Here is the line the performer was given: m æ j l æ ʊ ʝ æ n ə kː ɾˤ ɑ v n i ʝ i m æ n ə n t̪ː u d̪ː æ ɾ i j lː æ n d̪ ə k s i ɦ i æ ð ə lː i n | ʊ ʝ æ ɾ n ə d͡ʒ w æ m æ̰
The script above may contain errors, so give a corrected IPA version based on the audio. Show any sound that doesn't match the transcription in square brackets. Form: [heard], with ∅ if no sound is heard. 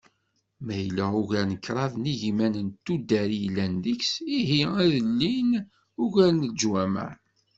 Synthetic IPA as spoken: m æ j l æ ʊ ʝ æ n ə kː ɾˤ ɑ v n i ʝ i m æ n ə n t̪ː u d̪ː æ ɾ i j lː æ n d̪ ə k s i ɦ i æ ð ə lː i n | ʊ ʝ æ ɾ n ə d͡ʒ w æ m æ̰